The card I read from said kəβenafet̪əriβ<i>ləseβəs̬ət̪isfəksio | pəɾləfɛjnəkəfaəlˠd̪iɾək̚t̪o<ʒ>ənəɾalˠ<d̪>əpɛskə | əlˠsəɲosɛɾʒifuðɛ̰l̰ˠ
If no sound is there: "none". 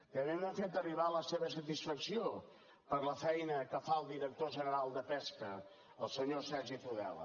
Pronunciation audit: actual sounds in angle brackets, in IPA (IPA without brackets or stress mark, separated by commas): a, ʒ, d̪